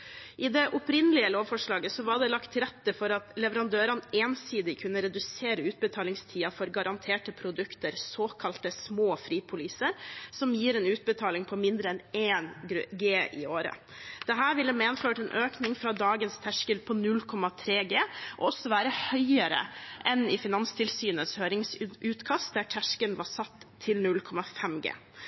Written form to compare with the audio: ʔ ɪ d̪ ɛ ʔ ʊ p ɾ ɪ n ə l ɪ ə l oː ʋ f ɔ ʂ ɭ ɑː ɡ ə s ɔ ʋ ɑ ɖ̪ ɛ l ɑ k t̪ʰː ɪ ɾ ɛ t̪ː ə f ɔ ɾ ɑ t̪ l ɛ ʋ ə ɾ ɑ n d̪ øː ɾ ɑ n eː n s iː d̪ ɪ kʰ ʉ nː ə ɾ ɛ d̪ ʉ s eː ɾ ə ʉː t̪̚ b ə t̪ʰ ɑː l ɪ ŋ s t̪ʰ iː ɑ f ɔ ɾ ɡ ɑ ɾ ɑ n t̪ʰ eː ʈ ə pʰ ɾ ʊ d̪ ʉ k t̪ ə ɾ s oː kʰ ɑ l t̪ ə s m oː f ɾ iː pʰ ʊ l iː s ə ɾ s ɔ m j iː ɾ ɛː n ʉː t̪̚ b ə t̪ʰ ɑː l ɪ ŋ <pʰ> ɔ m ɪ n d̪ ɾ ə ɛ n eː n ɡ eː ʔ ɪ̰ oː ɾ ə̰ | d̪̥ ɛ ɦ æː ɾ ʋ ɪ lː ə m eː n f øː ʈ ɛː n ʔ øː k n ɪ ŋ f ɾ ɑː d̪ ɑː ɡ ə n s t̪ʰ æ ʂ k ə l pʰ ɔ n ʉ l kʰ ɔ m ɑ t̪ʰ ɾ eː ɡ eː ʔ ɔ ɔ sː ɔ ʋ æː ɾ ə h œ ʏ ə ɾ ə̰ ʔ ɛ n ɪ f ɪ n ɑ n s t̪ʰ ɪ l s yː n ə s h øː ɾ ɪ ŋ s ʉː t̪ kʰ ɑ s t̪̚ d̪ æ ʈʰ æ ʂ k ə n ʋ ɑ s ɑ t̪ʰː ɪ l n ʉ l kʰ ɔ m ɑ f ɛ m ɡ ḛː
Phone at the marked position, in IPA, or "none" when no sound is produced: pʰ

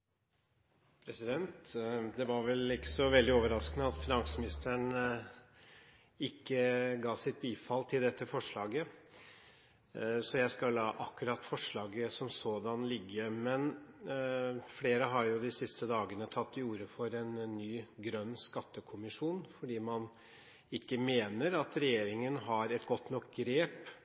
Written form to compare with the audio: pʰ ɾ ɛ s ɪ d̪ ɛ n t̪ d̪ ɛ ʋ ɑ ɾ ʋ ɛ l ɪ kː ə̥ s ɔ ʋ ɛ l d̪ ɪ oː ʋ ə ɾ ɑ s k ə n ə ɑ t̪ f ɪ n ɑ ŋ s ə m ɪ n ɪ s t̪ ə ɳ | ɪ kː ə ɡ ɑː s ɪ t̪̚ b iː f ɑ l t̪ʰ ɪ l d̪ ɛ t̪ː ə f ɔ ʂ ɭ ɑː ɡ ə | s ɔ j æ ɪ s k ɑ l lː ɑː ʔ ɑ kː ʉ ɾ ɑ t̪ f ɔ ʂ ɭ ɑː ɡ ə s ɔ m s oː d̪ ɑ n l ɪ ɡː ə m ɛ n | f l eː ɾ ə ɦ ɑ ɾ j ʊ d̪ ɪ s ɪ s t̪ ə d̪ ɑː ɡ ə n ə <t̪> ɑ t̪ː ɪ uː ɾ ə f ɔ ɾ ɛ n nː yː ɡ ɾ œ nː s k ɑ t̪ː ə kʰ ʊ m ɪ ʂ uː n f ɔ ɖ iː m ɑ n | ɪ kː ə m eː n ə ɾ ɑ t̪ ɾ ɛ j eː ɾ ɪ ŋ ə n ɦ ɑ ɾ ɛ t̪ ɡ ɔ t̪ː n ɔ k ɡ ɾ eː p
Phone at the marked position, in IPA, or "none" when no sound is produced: t̪ʰ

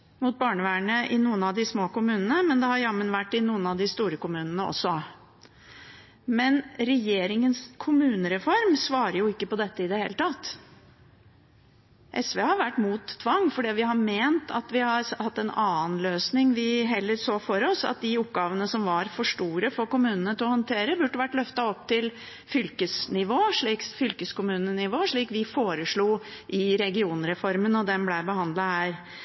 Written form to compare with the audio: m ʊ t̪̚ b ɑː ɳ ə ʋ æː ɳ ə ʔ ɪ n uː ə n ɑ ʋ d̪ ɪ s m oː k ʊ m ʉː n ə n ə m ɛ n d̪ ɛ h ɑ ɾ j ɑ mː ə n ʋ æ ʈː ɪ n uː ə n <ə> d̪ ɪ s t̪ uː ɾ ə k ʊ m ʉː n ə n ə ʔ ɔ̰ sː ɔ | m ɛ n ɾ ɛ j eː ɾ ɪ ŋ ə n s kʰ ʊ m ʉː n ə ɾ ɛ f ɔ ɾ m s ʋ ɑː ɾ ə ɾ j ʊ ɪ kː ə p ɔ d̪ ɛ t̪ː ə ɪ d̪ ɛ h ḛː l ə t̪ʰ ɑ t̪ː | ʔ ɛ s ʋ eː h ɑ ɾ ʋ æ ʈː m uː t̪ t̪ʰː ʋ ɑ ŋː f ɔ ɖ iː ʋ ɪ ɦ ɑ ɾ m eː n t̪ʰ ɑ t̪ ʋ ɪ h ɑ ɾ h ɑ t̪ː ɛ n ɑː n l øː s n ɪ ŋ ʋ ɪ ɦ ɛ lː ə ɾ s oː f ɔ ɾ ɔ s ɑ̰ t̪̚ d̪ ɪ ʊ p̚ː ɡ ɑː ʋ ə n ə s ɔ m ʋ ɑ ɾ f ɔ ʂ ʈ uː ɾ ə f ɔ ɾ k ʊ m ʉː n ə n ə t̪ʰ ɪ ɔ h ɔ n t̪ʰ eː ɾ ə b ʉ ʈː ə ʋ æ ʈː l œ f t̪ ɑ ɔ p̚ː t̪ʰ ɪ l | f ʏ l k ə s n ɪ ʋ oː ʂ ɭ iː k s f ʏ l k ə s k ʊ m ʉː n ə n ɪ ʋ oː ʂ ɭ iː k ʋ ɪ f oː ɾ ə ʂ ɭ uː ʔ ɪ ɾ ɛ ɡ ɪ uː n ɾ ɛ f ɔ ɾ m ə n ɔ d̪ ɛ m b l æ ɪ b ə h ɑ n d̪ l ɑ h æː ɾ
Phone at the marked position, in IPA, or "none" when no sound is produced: ɑ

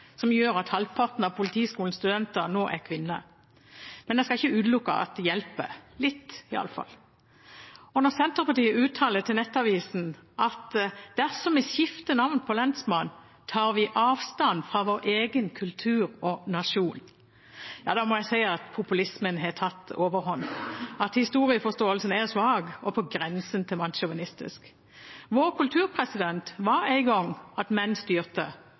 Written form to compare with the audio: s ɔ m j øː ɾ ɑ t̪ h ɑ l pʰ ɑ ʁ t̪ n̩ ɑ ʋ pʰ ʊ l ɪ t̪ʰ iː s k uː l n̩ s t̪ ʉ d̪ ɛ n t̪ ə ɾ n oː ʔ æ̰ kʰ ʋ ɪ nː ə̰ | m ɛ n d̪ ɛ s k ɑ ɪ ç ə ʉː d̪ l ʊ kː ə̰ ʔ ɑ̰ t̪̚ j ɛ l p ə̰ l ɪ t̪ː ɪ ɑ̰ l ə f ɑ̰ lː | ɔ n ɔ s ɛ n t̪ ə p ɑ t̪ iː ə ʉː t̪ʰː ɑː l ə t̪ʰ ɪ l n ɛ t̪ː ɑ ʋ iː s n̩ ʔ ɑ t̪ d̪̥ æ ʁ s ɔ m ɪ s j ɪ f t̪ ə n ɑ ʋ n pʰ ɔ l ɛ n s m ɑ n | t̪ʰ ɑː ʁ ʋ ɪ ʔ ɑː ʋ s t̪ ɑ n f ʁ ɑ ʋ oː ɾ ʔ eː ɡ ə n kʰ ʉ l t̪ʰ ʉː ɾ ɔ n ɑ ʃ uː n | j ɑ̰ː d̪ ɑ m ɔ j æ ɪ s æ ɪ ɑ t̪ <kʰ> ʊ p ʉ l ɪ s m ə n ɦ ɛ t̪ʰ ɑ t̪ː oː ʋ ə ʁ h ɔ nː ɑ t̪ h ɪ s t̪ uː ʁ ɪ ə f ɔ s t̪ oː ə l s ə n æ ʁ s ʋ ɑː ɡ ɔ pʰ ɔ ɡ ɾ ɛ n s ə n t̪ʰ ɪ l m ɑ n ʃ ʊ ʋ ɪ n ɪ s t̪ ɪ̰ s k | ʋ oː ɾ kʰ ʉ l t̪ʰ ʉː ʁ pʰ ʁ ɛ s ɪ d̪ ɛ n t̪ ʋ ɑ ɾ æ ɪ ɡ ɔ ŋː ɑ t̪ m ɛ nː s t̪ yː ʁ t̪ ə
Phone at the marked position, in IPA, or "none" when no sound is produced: pʰ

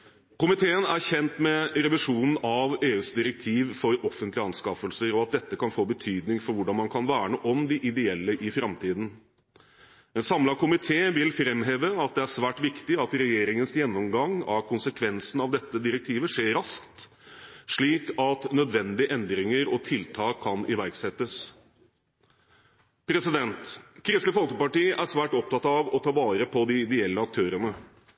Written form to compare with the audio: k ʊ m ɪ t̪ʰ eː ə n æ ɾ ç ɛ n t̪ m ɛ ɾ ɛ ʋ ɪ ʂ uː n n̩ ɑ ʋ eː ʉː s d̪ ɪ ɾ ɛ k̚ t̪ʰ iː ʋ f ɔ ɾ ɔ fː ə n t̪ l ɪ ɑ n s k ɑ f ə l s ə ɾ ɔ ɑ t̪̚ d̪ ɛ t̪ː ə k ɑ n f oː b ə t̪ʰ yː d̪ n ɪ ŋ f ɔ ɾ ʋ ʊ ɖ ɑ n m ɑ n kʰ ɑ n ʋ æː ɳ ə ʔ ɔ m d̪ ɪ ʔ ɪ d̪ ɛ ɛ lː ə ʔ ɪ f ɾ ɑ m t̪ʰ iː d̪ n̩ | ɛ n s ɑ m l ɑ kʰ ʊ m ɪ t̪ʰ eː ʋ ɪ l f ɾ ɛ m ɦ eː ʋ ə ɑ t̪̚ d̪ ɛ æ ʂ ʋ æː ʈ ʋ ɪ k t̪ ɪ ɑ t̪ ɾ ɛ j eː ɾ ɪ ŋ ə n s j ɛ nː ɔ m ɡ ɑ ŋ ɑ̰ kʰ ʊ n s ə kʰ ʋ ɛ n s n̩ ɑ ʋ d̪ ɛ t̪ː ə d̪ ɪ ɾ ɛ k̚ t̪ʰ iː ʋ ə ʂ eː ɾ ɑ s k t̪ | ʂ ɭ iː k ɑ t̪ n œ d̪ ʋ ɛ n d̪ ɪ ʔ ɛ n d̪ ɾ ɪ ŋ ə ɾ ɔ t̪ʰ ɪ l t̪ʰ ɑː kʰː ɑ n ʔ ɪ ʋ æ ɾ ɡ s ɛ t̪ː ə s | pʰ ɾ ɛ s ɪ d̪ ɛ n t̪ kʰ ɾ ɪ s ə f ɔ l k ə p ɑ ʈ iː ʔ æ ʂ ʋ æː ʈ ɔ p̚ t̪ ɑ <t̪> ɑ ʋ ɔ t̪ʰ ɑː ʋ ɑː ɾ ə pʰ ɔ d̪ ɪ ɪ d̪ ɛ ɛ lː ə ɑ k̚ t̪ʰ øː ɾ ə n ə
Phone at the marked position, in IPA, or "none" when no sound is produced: t̪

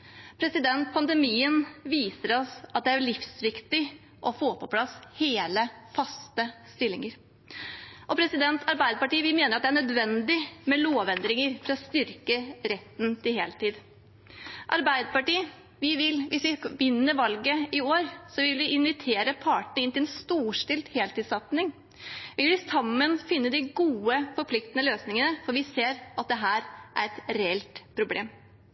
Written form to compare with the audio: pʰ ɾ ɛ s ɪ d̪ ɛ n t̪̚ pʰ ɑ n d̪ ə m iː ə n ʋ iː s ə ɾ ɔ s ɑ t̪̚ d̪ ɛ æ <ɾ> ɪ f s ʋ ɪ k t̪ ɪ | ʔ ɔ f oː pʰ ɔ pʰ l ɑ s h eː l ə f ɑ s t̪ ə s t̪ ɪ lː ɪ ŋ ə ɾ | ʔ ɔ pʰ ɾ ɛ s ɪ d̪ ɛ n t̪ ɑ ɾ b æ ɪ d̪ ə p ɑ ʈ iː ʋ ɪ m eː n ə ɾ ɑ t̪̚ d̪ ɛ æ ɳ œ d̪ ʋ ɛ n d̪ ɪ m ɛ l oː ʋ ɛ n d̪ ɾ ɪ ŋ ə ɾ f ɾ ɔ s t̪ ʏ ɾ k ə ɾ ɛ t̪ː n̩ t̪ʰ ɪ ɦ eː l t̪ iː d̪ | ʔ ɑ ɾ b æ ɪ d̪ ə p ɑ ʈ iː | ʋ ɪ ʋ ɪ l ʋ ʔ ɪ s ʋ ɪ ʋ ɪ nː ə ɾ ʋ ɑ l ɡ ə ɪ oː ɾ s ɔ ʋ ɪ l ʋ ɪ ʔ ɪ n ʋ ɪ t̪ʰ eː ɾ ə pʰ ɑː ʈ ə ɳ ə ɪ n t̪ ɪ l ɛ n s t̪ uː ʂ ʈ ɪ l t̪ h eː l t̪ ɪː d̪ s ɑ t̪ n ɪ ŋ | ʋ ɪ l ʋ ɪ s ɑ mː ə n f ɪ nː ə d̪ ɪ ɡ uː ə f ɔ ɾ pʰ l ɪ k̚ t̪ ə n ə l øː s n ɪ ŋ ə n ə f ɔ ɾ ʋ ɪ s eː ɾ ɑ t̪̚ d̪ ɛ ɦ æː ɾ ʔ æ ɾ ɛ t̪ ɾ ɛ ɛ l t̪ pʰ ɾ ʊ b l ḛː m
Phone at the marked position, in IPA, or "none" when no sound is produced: ɭ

